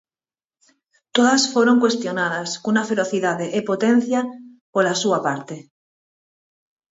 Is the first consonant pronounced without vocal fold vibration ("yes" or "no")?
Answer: yes